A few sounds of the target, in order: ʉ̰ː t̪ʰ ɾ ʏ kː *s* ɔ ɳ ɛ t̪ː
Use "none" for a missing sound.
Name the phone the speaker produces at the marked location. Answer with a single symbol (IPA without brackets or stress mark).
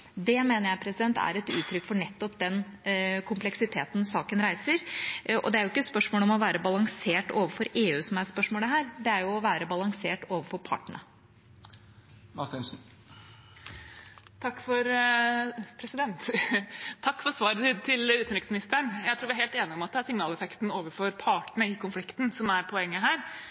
f